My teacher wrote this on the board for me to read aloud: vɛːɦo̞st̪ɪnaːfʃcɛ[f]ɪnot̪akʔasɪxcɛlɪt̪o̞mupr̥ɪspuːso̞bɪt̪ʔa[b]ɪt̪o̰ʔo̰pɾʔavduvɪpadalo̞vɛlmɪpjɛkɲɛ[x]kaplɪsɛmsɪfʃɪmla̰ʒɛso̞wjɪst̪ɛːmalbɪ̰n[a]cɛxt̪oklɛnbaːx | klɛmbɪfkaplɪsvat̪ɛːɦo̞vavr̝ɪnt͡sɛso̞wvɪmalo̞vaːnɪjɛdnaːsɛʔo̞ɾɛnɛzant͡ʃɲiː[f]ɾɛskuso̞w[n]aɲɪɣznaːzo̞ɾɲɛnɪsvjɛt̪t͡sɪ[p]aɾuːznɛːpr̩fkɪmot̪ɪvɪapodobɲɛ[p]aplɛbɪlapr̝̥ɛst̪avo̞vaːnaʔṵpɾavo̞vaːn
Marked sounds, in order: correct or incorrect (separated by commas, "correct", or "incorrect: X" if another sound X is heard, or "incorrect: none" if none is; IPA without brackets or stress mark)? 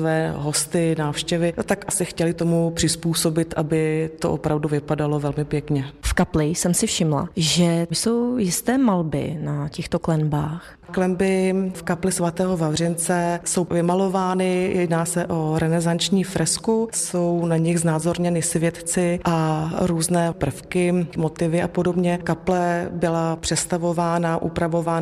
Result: incorrect: v, correct, incorrect: f, correct, correct, correct, incorrect: ʔ, incorrect: k